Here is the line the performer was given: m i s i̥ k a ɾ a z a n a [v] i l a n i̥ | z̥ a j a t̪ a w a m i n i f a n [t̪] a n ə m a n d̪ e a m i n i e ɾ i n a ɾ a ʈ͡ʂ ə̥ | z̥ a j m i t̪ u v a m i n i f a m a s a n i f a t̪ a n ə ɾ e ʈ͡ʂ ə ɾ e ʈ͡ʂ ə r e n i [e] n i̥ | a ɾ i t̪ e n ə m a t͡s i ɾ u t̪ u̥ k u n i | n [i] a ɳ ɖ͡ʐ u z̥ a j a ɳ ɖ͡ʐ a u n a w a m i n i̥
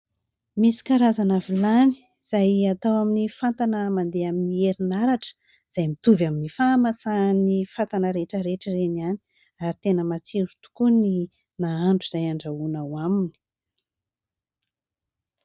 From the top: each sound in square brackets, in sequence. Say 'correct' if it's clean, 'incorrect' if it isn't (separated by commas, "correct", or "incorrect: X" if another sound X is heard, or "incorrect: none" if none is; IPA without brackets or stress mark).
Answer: correct, correct, incorrect: a, incorrect: a